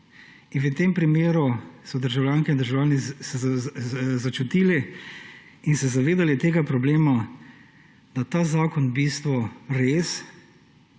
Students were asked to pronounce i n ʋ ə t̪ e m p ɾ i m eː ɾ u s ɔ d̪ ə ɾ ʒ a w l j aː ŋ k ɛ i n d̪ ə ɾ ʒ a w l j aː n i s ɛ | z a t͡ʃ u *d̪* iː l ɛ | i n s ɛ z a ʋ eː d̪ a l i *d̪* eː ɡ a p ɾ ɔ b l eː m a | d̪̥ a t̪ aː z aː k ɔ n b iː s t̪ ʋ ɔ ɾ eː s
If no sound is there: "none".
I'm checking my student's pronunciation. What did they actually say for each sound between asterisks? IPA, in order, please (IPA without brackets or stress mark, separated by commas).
t̪, t̪